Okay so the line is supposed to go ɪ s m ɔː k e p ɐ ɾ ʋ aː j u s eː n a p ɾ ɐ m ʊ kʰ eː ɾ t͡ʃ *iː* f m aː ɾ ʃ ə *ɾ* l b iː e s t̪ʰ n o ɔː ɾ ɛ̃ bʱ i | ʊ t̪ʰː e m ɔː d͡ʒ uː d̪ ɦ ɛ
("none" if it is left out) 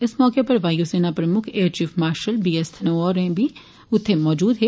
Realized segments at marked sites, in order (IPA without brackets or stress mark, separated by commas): iː, none